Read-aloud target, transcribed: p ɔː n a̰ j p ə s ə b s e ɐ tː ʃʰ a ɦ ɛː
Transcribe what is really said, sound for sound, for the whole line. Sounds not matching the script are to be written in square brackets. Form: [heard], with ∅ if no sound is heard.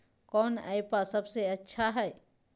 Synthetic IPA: [k] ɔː n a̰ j p [a] s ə b s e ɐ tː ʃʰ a ɦ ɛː